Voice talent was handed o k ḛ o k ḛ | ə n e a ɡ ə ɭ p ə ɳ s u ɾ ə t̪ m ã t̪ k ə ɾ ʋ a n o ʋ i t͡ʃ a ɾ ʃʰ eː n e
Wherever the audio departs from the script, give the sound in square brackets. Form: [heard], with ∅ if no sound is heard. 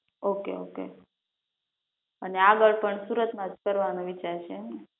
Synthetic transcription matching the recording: o k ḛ o k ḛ | ə n e a ɡ ə ɭ p ə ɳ s u ɾ ə t̪ m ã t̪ k ə ɾ ʋ a n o ʋ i t͡ʃ a ɾ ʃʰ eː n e

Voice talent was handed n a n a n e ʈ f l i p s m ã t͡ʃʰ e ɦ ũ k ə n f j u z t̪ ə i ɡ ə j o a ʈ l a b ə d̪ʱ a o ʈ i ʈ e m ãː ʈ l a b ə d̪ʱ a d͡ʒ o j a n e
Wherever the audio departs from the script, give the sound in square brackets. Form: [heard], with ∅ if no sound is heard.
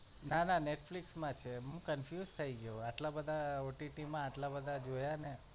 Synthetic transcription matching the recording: n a n a n e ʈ f l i [k] s m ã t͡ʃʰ e ɦ ũ k ə n f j u z [t̪ʰ] ə i ɡ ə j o a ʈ l a b ə d̪ʱ a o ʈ i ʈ [i] m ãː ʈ l a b ə d̪ʱ a d͡ʒ o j a n e

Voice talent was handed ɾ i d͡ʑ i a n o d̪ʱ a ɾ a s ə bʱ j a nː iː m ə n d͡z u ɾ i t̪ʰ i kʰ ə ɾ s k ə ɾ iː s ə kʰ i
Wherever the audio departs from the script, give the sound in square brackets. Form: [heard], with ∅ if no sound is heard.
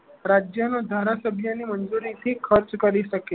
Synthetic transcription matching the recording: ɾ [a] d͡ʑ [j] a n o d̪ʱ a ɾ a s ə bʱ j a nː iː m ə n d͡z u ɾ i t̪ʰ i kʰ ə ɾ [t͡s] k ə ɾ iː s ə [k] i

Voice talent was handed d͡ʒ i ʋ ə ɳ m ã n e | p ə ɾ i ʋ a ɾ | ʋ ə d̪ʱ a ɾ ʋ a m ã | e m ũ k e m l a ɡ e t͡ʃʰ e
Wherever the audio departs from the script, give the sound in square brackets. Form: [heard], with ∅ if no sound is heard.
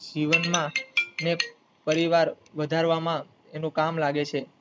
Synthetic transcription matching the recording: d͡ʒ i ʋ ə [n] m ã n e | p ə ɾ i ʋ a ɾ | ʋ ə d̪ʱ a ɾ ʋ a m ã | e [n] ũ k [a] m l a ɡ e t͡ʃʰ e

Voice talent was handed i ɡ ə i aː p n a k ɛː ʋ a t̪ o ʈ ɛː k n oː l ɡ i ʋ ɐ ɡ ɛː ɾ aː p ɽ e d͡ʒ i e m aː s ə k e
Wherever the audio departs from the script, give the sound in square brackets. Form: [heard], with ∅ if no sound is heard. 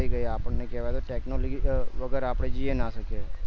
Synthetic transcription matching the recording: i ɡ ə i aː p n [e] k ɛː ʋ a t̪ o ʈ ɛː k n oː l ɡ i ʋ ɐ ɡ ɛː ɾ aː p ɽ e d͡ʒ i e [n] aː s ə k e

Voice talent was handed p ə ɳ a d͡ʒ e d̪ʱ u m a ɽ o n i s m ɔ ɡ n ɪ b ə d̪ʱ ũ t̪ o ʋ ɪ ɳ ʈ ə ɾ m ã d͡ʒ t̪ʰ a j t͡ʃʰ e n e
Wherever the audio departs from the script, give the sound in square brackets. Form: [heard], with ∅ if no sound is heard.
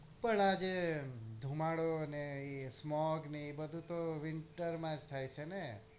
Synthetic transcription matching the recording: p ə ɳ a d͡ʒ e d̪ʱ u m a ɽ o n [e] s m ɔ ɡ n [i] b ə d̪ʱ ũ t̪ o ʋ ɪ ɳ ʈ ə ɾ m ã d͡ʒ t̪ʰ a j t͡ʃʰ e n e

